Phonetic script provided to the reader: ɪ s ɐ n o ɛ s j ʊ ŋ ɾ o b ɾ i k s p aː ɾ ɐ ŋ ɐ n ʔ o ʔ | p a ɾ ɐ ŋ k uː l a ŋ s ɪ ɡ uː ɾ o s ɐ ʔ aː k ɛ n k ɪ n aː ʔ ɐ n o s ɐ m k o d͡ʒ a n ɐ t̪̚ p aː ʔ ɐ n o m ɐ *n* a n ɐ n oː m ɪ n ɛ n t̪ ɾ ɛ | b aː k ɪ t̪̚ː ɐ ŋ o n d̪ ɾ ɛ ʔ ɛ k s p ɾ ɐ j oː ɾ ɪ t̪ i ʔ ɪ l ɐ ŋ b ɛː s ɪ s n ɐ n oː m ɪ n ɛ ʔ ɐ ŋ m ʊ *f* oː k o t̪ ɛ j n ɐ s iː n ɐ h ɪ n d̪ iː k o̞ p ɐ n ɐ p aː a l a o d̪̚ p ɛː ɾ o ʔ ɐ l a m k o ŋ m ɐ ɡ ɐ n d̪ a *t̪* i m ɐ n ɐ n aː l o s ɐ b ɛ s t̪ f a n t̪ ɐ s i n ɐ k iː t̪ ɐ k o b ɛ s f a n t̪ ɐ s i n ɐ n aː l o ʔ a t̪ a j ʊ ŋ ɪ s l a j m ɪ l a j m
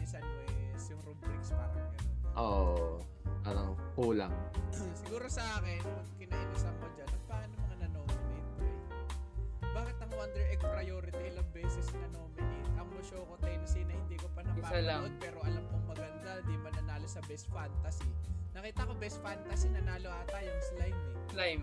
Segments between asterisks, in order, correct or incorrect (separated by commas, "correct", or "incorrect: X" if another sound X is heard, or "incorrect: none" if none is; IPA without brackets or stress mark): incorrect: ŋ, incorrect: ʃ, incorrect: d̪